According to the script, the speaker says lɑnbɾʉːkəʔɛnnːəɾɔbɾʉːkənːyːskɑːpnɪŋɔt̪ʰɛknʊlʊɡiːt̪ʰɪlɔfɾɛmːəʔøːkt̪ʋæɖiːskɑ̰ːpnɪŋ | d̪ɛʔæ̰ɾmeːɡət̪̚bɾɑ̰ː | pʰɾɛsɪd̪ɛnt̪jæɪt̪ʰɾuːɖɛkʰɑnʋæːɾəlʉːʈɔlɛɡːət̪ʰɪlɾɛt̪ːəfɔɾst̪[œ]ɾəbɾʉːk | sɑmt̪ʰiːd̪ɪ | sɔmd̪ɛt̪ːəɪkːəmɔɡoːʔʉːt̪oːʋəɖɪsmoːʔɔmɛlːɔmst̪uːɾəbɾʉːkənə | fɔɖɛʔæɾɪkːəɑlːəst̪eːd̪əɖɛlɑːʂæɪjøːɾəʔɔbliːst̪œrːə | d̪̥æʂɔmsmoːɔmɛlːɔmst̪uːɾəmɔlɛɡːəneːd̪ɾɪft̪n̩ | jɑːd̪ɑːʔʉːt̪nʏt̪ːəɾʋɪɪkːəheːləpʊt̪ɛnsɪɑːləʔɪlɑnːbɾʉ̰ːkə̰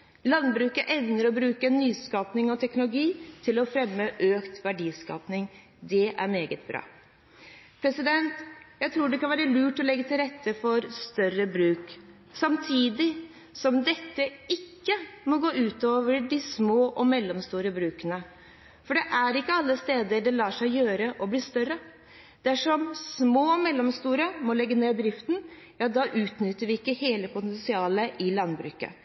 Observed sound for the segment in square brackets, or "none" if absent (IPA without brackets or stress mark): œ